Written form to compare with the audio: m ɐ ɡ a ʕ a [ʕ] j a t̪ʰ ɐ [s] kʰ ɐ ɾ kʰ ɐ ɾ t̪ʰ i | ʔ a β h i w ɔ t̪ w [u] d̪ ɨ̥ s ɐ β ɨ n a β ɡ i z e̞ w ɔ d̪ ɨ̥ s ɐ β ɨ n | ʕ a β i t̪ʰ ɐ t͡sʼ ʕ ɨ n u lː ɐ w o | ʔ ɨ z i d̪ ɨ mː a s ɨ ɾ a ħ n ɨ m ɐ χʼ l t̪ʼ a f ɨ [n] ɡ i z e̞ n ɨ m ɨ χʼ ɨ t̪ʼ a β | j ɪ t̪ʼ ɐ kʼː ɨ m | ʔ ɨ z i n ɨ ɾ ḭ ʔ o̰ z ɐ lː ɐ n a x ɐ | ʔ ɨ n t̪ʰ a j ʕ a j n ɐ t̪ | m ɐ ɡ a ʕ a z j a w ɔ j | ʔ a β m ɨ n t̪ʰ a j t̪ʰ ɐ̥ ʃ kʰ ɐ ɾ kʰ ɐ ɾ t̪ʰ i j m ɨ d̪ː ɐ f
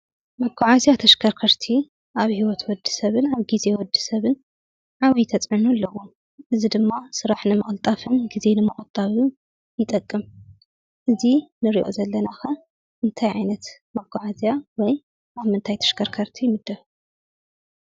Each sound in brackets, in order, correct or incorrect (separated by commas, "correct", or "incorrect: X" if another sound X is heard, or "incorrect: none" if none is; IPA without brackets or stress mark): incorrect: z, incorrect: ʃ, incorrect: ɔ, correct